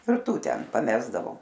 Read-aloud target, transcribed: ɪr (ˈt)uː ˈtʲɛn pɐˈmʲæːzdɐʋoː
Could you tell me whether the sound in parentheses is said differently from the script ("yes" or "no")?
no